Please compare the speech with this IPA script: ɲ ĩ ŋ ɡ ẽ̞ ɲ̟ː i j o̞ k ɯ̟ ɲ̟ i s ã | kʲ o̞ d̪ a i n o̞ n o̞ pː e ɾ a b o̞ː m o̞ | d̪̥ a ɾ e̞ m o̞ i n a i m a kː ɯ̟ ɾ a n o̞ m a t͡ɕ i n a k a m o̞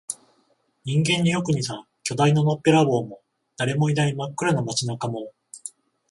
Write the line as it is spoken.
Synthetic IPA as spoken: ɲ ĩ ŋ ɡ ẽ̞ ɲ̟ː i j o̞ k ɯ̟ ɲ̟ i s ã | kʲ o̞ d̪ a i n o̞ n o̞ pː e ɾ a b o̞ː m o̞ | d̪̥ a ɾ e̞ m o̞ i n a i m a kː ɯ̟ ɾ a n o̞ m a t͡ɕ i n a k a m o̞